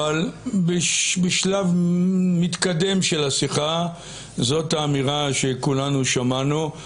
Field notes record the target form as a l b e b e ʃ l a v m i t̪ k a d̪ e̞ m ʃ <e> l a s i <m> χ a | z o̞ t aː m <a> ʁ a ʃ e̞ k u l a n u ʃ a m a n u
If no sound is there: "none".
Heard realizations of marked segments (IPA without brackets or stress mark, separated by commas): e, none, i